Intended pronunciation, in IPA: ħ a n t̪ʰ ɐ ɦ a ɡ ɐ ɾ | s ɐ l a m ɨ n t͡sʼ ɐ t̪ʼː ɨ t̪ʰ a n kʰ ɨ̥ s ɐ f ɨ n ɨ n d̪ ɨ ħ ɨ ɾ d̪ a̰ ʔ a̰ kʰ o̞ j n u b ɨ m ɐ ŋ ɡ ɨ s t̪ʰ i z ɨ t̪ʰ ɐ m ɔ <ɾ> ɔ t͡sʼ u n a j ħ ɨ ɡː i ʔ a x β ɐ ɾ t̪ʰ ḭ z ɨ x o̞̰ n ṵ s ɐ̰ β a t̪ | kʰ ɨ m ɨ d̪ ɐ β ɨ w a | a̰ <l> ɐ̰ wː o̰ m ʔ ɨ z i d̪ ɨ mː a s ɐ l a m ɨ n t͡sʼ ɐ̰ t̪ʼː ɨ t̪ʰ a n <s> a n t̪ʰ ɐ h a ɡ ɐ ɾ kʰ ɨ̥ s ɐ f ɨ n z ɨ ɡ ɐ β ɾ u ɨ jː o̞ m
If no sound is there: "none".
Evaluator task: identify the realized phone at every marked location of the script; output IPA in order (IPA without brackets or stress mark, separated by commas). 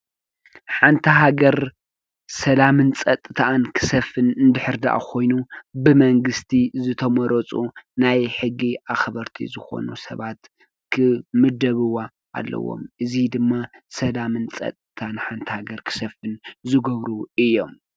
ɾ, lː, ħ